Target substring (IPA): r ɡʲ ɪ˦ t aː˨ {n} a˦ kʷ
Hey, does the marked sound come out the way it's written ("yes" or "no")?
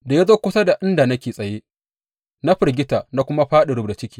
yes